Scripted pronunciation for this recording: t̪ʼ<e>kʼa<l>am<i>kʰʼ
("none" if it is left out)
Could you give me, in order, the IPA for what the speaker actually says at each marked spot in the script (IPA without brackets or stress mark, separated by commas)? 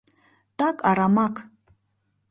a, ɾ, a